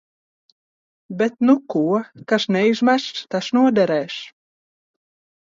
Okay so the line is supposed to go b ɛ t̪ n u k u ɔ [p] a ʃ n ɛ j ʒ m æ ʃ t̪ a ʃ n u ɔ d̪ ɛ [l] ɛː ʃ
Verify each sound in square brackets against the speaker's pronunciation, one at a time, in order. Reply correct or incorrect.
incorrect, incorrect

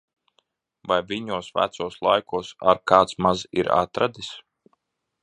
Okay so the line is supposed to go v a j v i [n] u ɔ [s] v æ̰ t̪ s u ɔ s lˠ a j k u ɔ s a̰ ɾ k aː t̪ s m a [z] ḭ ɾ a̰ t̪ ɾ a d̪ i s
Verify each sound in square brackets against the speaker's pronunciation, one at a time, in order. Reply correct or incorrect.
incorrect, correct, correct

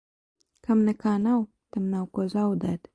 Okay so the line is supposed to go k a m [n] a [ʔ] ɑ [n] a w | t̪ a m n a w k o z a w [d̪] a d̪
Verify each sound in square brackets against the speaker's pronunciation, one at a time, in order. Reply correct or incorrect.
correct, incorrect, correct, correct

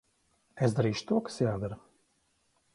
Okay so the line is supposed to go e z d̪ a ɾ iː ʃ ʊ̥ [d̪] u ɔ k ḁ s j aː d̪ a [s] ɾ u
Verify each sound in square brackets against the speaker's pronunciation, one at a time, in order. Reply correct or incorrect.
incorrect, incorrect

